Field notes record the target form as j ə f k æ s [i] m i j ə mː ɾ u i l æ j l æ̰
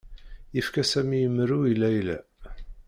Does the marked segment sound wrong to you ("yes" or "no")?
yes